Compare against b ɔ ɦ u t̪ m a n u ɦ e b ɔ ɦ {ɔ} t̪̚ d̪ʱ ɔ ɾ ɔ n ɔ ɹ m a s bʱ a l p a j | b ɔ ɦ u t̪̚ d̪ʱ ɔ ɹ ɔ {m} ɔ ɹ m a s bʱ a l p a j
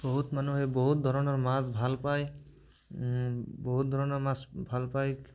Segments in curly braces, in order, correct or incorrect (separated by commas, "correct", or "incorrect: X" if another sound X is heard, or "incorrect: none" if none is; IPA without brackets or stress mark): incorrect: u, incorrect: n